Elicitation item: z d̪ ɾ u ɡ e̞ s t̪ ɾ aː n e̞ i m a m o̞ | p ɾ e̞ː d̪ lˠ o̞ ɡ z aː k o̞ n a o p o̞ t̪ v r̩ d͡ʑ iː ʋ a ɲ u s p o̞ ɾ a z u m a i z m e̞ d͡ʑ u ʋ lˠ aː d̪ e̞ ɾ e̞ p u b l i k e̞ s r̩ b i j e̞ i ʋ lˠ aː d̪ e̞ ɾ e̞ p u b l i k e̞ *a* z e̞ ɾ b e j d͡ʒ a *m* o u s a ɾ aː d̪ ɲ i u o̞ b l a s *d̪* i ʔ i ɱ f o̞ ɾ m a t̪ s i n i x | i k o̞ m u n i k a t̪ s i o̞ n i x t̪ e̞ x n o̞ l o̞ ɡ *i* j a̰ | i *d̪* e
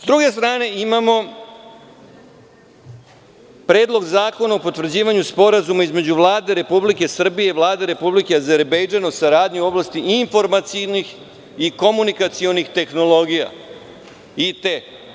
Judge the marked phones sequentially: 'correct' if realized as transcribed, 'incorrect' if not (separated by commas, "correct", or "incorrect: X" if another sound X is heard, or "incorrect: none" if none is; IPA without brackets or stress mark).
correct, incorrect: n, incorrect: t̪, correct, incorrect: t̪